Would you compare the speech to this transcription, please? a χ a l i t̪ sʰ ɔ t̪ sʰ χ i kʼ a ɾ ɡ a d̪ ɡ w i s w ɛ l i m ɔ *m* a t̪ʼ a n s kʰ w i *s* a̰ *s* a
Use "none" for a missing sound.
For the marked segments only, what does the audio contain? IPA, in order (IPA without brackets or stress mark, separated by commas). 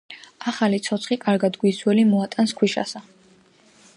none, ʃ, s